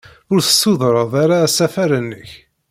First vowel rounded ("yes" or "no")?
yes